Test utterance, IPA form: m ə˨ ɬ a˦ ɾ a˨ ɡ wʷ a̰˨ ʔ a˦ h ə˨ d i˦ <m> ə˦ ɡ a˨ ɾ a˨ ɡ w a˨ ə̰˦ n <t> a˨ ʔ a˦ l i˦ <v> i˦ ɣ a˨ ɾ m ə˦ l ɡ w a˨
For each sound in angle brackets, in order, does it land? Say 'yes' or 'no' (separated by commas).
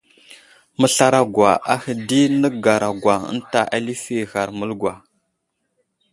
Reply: no, yes, no